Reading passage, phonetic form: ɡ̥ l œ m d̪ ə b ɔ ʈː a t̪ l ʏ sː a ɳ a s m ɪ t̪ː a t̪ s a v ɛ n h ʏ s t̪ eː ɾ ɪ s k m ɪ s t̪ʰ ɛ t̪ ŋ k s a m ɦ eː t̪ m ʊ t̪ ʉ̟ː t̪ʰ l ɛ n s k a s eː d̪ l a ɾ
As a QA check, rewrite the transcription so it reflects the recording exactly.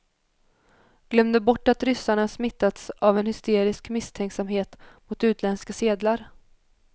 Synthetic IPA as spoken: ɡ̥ l œ m d̪ ə b ɔ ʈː a t̪ ɾ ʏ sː a ɳ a s m ɪ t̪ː a t̪ s a v ɛ n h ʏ s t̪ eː ɾ ɪ s k m ɪ s t̪ʰ ɛ ŋ k s a m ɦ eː t̪ m ʊ t̪ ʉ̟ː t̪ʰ l ɛ n s k a s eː d̪ l a ɾ

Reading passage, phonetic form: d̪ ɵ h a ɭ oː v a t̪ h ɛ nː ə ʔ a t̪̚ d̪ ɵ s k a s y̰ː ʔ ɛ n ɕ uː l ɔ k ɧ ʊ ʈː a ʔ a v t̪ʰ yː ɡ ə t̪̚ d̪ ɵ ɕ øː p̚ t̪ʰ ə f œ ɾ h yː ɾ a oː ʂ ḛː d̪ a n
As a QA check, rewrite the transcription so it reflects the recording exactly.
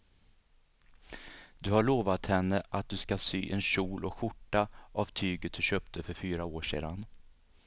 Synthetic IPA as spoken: d̪ ɵ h a ɭ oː v a t̪ h ɛ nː ə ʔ a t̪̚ d̪ ɵ s k a s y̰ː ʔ ɛ n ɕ uː l ɔ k ɧ ʊ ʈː a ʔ a v t̪ʰ yː ɡ ə t̪̚ d̪ ɵ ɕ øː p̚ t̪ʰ ə f œ ɾ f yː ɾ a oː ʂ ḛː d̪ a n

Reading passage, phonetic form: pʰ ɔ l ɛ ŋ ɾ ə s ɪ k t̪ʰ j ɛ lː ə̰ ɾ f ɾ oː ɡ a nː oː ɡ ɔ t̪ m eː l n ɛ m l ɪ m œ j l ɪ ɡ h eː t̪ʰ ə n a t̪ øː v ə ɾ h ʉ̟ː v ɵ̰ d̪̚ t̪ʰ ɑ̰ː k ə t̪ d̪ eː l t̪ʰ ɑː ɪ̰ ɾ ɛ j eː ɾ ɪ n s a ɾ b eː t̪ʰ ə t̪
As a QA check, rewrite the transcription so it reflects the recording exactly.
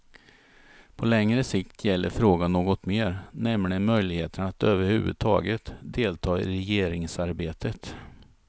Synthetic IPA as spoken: pʰ ɔ l ɛ ŋ ɾ ə s ɪ k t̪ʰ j ɛ lː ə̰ ɾ f ɾ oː ɡ a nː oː ɡ ɔ t̪ m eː ɾ n ɛ m l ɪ m œ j l ɪ ɡ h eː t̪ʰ ə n a t̪ øː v ə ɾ h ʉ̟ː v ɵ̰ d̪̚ t̪ʰ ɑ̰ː ɡ ə t̪ d̪ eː l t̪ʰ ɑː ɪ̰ ɾ ɛ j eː ɾ ɪ ŋ s a ɾ b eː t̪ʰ ə t̪

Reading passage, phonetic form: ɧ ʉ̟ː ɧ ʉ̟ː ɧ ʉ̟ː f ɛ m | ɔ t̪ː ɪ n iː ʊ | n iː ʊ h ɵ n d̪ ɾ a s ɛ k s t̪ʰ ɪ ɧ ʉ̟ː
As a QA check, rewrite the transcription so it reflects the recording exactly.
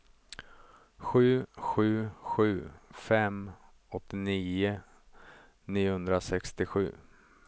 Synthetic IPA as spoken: ɧ ʉ̟ː ɧ ʉ̟ː ɧ ʉ̟ː f ɛ m | ɔ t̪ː ɪ n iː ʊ | n iː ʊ h ɵ n d̪ ɾ a s ɛ k s t̪ ɪ ɧ ʉ̟ː

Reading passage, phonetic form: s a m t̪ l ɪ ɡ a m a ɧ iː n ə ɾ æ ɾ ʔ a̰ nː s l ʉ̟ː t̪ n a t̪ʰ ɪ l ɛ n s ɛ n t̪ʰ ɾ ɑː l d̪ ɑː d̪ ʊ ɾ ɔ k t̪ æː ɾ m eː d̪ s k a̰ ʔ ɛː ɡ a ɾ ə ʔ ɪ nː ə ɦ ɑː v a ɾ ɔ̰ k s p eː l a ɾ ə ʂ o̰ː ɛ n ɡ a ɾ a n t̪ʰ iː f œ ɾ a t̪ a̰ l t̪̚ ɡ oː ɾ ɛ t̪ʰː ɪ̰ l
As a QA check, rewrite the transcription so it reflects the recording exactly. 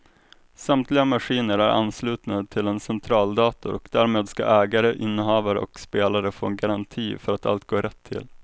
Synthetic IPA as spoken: s a m t̪ l ɪ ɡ a m a ɧ iː n ə ɾ æ ɾ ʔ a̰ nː s l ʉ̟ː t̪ n a t̪ʰ ɪ l ɛ n s ɛ n t̪ʰ ɾ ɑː l d̪ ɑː t̪ ʊ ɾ ɔ k d̪ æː ɾ m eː d̪ s k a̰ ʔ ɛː ɡ a ɾ ə ʔ ɪ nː ə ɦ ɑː v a ɾ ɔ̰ k s p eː l a ɾ ə f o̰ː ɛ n ɡ a ɾ a n t̪ʰ iː f œ ɾ a t̪ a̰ l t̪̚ ɡ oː ɾ ɛ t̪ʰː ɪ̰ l

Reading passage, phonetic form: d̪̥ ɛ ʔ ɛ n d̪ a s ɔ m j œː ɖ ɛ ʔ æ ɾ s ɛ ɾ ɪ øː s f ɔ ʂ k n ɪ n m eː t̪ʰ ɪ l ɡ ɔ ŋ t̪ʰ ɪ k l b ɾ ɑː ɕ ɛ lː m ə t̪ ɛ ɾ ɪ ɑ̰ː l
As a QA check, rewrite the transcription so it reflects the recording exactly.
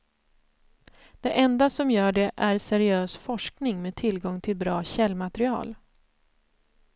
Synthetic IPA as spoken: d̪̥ ɛ ʔ ɛ n d̪ a s ɔ m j œː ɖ ɛ ʔ æ ɾ s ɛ ɾ ɪ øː s f ɔ ʂ k n ɪ ŋ m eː t̪ʰ ɪ l ɡ ɔ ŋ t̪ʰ ɪ l b ɾ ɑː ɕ ɛ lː m a t̪ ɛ ɾ ɪ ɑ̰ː l

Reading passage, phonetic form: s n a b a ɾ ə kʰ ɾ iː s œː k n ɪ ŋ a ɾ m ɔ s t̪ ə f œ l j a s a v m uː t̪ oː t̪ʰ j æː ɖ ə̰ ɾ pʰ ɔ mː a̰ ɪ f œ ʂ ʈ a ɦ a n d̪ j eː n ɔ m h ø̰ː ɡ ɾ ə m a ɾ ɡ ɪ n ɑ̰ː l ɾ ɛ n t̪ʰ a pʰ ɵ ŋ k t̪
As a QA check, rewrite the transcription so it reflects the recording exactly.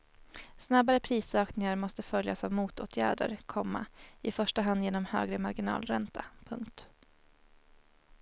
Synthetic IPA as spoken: s n a b a ɾ ə pʰ ɾ iː s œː k n ɪ ŋ a ɾ m ɔ s t̪ ə f œ l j a s a v m uː t̪ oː t̪ʰ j æː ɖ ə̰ ɾ kʰ ɔ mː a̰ ɪ f œ ʂ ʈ a ɦ a n d̪ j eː n ɔ m h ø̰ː ɡ ɾ ə m a ɾ ɡ ɪ n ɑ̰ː l ɾ ɛ n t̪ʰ a pʰ ɵ ŋ k t̪

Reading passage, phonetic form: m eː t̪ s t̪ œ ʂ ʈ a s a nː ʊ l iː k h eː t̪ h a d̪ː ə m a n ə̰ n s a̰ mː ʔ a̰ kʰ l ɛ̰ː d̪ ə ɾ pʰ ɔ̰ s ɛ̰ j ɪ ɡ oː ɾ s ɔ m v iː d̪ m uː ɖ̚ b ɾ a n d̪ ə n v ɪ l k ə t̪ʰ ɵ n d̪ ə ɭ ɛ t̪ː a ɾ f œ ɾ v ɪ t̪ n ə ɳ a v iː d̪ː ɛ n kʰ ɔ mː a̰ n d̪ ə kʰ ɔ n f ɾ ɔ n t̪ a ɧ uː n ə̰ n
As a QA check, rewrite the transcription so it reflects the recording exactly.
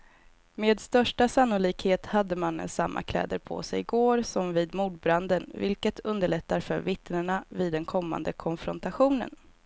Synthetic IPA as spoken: m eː d̪ s t̪ œ ʂ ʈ a s a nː ʊ l iː k h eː t̪ h a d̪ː ə m a n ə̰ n s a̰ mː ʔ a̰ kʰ l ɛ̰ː d̪ ə ɾ pʰ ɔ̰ s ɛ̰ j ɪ ɡ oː ɾ s ɔ m v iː d̪ m uː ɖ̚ b ɾ a n d̪ ə n v ɪ l k ə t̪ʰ ɵ n d̪ ə ɭ ɛ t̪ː a ɾ f œ ɾ v ɪ t̪ n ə ɳ a v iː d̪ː ɛ n kʰ ɔ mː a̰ n d̪ ə kʰ ɔ n f ɾ ɔ n t̪ a ɧ uː n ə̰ n

